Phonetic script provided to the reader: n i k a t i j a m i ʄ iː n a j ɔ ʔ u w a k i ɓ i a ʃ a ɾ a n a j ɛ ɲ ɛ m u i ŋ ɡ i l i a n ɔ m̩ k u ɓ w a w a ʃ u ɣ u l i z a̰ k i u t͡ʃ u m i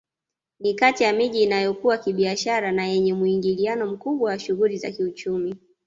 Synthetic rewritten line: n i k a t i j a m i ʄ iː n a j ɔ k u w a k i ɓ i a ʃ a ɾ a n a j ɛ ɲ ɛ m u i ŋ ɡ i l i a n ɔ m̩ k u ɓ w a w a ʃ u ɣ u l i z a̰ k i u t͡ʃ u m i